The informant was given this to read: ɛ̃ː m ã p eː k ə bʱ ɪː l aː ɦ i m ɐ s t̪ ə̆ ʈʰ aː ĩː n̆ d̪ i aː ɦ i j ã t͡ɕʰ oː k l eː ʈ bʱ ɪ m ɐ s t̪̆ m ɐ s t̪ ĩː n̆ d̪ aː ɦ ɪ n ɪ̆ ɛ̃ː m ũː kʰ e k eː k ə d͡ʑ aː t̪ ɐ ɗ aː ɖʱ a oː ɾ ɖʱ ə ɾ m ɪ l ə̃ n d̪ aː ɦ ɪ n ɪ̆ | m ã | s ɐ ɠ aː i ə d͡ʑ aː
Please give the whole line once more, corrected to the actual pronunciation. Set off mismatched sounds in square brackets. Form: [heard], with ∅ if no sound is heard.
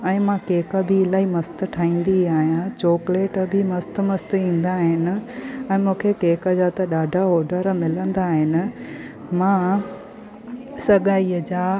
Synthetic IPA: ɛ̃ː m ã [k] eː k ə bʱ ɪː l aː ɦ i m ɐ s t̪ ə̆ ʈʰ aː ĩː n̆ d̪ i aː ɦ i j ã [t͡ɕ] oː k l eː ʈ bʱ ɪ m ɐ s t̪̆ m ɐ s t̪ ĩː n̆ d̪ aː ɦ ɪ n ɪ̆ ɛ̃ː m ũː kʰ e k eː k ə d͡ʑ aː t̪ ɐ ɗ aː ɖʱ a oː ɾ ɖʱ ə ɾ m ɪ l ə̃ n d̪ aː ɦ ɪ n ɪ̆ | m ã | s ɐ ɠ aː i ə d͡ʑ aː